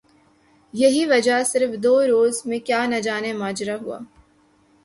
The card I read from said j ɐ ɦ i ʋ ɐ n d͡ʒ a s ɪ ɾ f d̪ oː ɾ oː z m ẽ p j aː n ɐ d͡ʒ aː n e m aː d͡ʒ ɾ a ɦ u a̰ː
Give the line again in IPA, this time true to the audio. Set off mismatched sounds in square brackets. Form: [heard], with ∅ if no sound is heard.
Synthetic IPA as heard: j ɐ ɦ i ʋ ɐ [∅] d͡ʒ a s ɪ ɾ f d̪ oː ɾ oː z m ẽ [k] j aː n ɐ d͡ʒ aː n e m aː d͡ʒ ɾ a ɦ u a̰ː